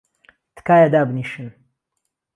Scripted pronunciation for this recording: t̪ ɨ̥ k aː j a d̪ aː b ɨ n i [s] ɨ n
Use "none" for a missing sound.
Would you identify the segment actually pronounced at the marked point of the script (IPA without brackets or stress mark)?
ʃ